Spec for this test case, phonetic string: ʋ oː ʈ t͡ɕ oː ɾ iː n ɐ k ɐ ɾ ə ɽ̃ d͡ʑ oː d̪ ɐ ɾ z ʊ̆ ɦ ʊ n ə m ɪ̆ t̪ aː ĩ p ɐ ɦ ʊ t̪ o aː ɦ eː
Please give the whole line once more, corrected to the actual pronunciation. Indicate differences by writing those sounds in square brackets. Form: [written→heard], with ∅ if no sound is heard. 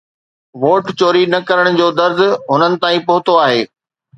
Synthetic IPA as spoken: ʋ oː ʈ t͡ɕ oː ɾ [iː→i] n ɐ k ɐ ɾ ə ɽ̃ d͡ʑ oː d̪ ɐ ɾ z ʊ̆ ɦ ʊ n ə [m→n] ɪ̆ t̪ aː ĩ p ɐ ɦ ʊ t̪ o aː ɦ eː